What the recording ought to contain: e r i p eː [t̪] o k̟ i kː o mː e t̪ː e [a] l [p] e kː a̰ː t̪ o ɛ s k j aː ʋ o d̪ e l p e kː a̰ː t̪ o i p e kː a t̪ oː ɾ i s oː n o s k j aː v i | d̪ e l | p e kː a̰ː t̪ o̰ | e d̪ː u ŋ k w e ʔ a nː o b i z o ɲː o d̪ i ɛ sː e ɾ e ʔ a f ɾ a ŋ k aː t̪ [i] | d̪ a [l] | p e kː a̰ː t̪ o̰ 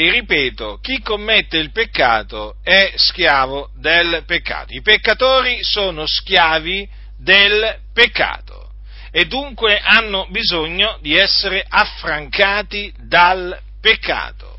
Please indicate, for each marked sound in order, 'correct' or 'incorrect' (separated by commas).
correct, incorrect, correct, correct, correct